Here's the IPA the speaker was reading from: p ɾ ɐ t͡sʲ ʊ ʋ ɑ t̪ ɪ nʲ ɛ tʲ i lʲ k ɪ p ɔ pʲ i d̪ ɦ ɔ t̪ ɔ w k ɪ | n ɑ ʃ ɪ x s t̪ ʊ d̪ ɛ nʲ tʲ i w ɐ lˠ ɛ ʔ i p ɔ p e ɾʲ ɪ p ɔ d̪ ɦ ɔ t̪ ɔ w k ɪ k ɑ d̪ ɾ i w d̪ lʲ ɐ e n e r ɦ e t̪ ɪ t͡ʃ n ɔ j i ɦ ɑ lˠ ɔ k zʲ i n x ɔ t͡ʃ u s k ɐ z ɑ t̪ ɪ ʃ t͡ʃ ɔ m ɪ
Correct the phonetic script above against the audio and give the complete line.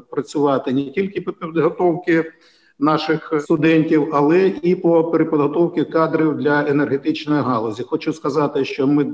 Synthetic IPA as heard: p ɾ ɐ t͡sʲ ʊ ʋ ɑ t̪ ɪ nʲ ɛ tʲ i lʲ k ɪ p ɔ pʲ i d̪ ɦ ɔ t̪ ɔ w k ɪ | n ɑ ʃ ɪ x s t̪ ʊ d̪ ɛ nʲ tʲ i w ɐ lˠ ɛ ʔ i p ɔ p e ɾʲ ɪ p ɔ d̪ ɦ ɔ t̪ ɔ w k ɪ k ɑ d̪ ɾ i w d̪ lʲ ɐ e n e r ɦ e t̪ ɪ t͡ʃ n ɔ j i ɦ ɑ lˠ ɔ zʲ i x ɔ t͡ʃ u s k ɐ z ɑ t̪ ɪ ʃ t͡ʃ ɔ m ɪ